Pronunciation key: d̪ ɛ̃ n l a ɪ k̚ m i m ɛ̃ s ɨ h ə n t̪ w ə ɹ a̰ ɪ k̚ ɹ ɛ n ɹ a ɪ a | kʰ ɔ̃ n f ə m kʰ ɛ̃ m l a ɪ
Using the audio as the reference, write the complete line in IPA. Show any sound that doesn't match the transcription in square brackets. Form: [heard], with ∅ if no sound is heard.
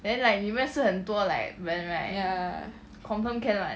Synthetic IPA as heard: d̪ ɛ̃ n l a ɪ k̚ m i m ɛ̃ s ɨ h ə n t̪ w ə [l] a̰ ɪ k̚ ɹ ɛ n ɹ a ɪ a | kʰ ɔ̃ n f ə m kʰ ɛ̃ [n] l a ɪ